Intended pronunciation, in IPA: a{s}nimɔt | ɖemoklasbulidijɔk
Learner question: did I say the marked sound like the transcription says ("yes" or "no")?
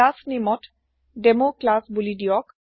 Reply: yes